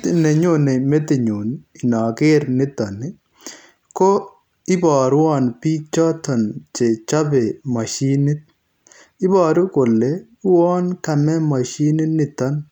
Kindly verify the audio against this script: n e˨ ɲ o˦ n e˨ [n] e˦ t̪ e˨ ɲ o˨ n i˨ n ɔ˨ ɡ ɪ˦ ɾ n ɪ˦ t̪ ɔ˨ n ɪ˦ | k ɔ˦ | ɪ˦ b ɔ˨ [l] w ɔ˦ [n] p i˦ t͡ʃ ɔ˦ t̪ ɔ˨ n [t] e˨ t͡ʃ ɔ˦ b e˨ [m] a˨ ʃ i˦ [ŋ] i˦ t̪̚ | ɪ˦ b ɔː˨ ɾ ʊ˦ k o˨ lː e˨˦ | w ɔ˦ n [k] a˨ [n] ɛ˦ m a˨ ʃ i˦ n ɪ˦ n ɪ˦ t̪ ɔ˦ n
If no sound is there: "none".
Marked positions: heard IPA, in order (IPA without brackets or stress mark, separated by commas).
m, ɾ, n, t͡ʃ, m, n, k, m